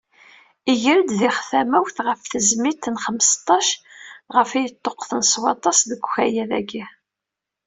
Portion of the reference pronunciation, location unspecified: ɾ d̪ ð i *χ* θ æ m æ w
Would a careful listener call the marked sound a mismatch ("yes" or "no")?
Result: no